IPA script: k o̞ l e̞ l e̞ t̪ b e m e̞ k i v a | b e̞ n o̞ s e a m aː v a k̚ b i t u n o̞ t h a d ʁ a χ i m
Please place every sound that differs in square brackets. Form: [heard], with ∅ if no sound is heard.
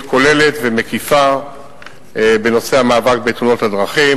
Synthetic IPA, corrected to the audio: k o̞ l e̞ l e̞ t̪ [v] e m e̞ k i [f] a | b e̞ n o̞ s e a m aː v a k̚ b [e] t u n o̞ t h a d ʁ a χ i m